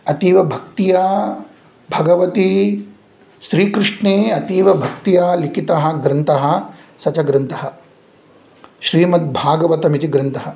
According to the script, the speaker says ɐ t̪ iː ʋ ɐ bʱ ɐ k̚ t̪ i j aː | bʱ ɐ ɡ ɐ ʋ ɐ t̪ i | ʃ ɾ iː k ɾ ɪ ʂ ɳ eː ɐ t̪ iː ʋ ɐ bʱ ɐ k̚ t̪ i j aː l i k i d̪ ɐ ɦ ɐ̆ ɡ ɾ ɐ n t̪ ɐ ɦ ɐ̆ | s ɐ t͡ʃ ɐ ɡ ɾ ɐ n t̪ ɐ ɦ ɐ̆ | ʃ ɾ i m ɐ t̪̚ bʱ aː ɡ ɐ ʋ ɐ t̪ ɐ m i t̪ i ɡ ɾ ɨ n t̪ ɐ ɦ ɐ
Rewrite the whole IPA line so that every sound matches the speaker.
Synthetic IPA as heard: ɐ t̪ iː ʋ ɐ bʱ ɐ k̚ t̪ i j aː | bʱ ɐ ɡ ɐ ʋ ɐ t̪ i | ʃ ɾ iː k ɾ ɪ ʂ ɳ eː ɐ t̪ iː ʋ ɐ bʱ ɐ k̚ t̪ i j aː l i k i t̪ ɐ ɦ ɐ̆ ɡ ɾ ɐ n t̪ ɐ ɦ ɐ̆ | s ɐ t͡ʃ ɐ ɡ ɾ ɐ n t̪ ɐ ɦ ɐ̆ | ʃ ɾ iː m ɐ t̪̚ bʱ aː ɡ ɐ ʋ ɐ t̪ ɐ m i t̪ i ɡ ɾ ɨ n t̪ ɐ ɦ ɐ